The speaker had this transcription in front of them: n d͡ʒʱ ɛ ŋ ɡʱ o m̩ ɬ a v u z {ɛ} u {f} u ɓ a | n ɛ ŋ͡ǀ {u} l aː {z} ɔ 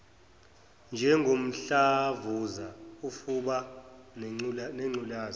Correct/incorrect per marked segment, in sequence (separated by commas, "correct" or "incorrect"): incorrect, correct, correct, correct